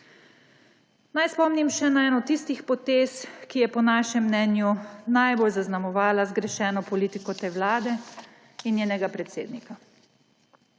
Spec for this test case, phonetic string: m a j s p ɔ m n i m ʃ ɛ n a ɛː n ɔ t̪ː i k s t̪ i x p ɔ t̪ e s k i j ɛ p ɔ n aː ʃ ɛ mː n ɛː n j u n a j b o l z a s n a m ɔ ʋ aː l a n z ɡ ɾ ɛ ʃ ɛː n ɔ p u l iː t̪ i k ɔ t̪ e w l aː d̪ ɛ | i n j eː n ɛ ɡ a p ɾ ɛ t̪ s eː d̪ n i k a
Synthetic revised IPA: n a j s p ɔ m n i m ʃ ɛ n a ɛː n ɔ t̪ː i s t̪ i x p ɔ t̪ e s k i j ɛ p ɔ n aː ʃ ɛ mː n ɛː n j u n a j b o l z a z n a m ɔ ʋ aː l a z ɡ ɾ ɛ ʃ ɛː n ɔ p ɔ l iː t̪ i k ɔ t̪ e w l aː d̪ ɛ | i n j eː n ɛ ɡ a p ɾ ɛ t̪ s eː d̪ n i k a